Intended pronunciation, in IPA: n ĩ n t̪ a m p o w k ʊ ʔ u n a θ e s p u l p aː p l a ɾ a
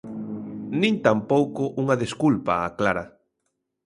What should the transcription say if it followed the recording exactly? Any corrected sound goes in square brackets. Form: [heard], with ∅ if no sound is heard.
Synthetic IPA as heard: n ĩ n t̪ a m p o w k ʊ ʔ u [ŋ] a [ð] e s [k] u l p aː [k] l a ɾ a